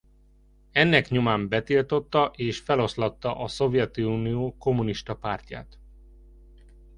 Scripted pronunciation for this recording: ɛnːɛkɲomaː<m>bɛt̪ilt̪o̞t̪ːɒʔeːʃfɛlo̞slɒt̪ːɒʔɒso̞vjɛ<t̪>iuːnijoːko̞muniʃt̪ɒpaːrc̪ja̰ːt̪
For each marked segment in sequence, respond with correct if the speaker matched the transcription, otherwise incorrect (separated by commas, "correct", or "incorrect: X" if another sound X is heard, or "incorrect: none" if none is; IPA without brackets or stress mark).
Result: correct, correct